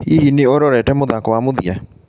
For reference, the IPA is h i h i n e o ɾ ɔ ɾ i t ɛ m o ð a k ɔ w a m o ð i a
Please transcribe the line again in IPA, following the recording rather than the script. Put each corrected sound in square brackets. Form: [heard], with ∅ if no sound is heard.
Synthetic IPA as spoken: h i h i n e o ɾ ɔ ɾ [ɛ] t ɛ m o ð a k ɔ w a m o ð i a